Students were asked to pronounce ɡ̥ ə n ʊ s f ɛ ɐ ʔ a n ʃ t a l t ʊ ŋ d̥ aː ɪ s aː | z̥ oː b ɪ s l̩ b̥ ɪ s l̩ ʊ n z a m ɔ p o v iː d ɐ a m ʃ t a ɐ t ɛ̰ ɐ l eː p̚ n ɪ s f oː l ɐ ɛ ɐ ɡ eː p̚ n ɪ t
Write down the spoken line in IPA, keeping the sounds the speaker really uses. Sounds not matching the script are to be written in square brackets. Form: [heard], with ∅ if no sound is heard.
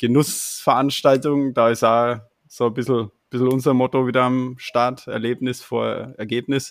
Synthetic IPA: ɡ̥ ə n ʊ s f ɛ ɐ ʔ a n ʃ t a l t ʊ ŋ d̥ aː ɪ s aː | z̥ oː b ɪ s l̩ b̥ ɪ s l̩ ʊ n z [ɐ] m ɔ [t] o v iː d ɐ a m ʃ t a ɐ t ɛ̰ ɐ l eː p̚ n ɪ s f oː [∅] ɐ ɛ ɐ ɡ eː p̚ n ɪ [s]